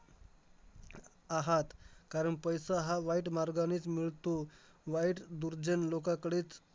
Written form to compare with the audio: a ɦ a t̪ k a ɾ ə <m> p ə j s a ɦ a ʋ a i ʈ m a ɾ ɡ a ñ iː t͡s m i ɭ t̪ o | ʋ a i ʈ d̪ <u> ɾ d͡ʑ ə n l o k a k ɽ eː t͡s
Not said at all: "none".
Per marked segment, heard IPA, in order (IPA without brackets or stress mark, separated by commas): ɳ, u